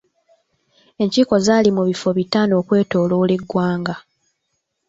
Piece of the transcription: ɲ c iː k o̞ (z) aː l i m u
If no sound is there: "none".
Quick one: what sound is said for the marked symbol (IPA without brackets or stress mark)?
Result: z